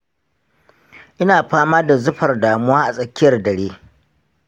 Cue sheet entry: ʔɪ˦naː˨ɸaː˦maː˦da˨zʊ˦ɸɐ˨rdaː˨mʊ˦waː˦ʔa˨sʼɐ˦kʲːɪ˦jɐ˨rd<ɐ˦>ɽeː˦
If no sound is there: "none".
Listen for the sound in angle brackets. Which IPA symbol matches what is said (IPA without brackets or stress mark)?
ɐ˨